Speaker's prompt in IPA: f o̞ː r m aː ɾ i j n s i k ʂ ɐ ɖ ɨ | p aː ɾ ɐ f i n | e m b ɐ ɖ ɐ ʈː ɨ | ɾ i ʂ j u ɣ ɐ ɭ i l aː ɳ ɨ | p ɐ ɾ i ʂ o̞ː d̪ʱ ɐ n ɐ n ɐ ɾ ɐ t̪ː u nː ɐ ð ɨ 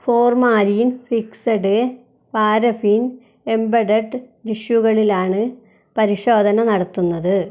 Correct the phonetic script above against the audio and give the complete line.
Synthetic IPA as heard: f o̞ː r m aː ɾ i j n f i k s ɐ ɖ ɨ | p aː ɾ ɐ f i n | e m b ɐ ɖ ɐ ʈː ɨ | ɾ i ʂ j u ɣ ɐ ɭ i l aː ɳ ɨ | p ɐ ɾ i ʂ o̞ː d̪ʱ ɐ n ɐ n ɐ ɽ ɐ t̪ː u nː ɐ ð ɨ